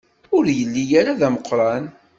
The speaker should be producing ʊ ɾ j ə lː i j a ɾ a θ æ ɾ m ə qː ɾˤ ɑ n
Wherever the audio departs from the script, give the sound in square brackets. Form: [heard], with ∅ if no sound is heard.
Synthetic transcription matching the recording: ʊ ɾ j ə lː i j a ɾ a [ð] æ [∅] m ə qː ɾˤ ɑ n